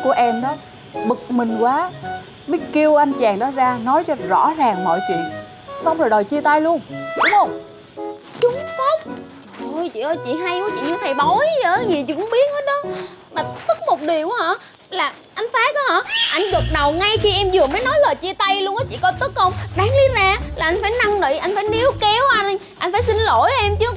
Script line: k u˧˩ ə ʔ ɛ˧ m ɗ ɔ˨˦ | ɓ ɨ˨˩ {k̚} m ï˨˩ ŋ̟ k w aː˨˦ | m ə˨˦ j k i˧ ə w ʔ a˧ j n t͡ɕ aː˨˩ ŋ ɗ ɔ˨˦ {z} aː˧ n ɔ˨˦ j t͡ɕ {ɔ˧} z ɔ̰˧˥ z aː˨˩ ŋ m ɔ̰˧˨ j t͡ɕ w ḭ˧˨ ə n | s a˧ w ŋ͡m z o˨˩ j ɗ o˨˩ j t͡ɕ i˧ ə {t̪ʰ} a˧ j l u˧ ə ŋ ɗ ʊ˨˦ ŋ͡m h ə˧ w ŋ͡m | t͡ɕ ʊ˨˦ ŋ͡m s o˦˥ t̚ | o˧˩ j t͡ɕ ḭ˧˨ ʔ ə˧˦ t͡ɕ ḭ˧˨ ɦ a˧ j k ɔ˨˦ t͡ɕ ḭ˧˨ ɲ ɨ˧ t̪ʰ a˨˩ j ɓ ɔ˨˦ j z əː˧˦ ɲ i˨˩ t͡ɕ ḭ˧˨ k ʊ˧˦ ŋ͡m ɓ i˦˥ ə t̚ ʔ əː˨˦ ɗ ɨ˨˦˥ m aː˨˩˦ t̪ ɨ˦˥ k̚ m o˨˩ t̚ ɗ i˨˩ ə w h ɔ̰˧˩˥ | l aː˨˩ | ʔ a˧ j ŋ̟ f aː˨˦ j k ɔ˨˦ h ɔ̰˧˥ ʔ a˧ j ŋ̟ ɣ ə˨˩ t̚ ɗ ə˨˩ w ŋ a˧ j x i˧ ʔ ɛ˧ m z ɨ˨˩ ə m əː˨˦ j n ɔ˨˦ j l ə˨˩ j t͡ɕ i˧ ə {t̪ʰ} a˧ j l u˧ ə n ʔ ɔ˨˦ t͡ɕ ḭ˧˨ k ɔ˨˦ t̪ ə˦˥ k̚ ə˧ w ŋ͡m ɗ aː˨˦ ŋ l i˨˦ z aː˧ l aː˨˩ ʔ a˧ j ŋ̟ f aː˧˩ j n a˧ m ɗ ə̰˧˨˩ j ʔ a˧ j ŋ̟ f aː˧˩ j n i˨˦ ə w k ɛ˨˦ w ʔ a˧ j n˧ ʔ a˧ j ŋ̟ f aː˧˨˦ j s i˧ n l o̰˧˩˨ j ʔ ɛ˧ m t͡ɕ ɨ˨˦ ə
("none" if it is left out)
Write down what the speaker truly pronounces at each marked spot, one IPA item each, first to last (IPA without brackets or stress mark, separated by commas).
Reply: k̚, z, ɔ˧, t̪, t̪